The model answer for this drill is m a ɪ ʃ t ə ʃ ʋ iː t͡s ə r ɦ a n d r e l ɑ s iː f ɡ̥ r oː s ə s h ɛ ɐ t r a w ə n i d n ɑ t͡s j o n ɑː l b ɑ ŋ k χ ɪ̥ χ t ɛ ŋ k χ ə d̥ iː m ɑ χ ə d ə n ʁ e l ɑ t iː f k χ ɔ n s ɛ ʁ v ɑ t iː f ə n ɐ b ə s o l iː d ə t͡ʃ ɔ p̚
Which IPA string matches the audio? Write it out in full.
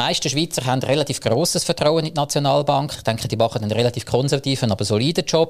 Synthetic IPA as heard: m a ɪ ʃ t ə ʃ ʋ iː t͡s ə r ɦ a n d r e l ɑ t iː f ɡ̥ r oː s ə s f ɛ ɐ t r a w ə n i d n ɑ t͡s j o n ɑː l b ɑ ŋ k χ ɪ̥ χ t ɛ ŋ k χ ə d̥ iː m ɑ χ ə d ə n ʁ e l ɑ t iː f k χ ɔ n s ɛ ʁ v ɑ t iː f ə n ɑ b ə s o l iː d ə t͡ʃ ɔ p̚